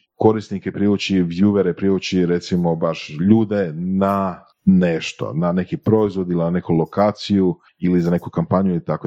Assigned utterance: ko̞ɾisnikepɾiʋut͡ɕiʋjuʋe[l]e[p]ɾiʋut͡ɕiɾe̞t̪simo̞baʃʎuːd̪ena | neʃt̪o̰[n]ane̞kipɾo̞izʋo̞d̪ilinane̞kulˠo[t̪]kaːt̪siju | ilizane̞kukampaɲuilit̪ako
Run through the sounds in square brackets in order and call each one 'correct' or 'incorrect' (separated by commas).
incorrect, correct, correct, incorrect